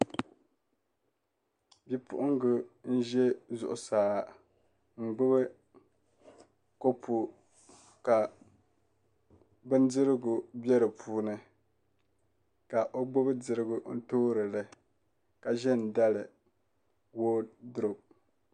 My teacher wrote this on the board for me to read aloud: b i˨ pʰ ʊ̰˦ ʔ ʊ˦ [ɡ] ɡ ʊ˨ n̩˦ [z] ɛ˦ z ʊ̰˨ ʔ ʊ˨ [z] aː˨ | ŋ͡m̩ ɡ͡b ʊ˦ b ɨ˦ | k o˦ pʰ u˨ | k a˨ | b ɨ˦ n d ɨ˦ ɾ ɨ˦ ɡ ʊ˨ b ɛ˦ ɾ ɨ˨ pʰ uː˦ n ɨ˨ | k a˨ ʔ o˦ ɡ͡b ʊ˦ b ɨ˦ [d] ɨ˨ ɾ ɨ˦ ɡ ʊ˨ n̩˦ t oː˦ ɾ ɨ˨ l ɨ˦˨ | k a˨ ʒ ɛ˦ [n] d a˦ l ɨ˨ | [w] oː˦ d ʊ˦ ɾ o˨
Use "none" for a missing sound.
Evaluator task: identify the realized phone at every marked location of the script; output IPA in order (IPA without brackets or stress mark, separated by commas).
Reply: ŋ, ʒ, s, d, n, w